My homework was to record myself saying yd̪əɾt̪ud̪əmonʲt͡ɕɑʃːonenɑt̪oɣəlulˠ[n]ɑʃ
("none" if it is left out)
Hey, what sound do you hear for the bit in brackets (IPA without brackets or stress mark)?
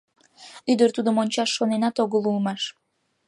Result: m